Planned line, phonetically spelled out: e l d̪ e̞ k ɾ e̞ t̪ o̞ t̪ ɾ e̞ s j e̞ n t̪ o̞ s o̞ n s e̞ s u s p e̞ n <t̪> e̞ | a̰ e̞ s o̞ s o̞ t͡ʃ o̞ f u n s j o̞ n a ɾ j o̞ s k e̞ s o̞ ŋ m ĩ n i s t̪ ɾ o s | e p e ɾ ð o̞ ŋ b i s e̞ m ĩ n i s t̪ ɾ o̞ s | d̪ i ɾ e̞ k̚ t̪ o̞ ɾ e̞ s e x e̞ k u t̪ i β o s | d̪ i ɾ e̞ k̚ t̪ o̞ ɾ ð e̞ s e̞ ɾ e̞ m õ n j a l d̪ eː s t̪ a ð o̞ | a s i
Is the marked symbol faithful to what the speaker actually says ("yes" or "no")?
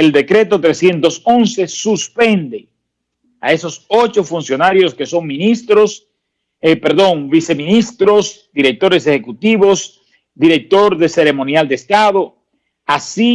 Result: no